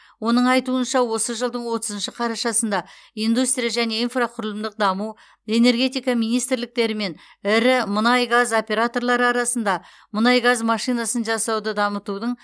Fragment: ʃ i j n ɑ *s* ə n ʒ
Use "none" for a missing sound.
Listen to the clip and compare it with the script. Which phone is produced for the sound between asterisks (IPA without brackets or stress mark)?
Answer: s